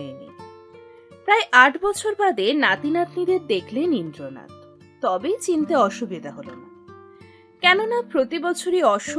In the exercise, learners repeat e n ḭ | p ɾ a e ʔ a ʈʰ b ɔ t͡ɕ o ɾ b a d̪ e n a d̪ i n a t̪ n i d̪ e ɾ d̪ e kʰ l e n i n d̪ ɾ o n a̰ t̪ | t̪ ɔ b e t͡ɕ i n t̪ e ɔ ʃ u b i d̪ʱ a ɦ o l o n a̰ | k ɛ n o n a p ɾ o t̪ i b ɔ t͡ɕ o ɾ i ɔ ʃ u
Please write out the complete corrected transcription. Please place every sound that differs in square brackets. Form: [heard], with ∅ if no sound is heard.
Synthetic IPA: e n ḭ | p ɾ a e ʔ a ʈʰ b ɔ [t͡ɕʰ] o ɾ b a d̪ e n a [t̪] i n a t̪ n i d̪ e ɾ d̪ e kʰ l e n i n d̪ ɾ o n a̰ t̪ | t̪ ɔ b e t͡ɕ i n t̪ e ɔ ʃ u b i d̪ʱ a ɦ o l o n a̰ | k ɛ n o n a p ɾ o t̪ i b ɔ [t͡ɕʰ] o ɾ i ɔ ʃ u